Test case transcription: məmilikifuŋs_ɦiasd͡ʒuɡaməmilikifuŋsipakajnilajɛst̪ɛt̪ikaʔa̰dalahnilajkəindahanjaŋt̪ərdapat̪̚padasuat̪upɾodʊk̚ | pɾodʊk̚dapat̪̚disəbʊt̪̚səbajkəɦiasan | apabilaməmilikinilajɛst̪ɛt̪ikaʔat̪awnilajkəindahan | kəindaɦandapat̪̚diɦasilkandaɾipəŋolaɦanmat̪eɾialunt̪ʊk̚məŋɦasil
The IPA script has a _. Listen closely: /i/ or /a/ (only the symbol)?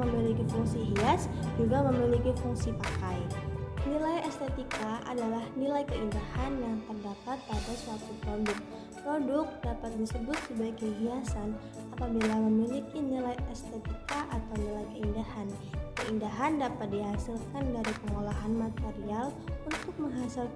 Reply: i